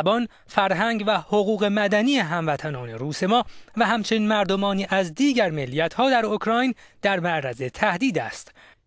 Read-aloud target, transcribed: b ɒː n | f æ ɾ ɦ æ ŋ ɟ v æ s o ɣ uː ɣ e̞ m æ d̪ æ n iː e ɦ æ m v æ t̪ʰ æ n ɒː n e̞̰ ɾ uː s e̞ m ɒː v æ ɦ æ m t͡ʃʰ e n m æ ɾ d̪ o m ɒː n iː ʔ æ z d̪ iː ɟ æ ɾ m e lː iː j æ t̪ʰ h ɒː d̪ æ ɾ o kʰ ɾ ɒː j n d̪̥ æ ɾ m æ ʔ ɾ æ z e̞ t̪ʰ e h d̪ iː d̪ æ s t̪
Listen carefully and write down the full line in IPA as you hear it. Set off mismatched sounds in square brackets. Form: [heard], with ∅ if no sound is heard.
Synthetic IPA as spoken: b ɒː n | f æ ɾ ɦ æ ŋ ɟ v æ [h] o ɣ uː ɣ e̞ m æ d̪ æ n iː e ɦ æ m v æ t̪ʰ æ n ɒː n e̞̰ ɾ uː s e̞ m ɒː v æ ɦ æ m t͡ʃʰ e n m æ ɾ d̪ o m ɒː n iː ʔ æ z d̪ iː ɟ æ ɾ m e lː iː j æ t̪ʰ h ɒː d̪ æ ɾ o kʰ ɾ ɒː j n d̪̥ æ ɾ m æ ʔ ɾ æ z e̞ t̪ʰ [æ] h d̪ iː d̪ æ s t̪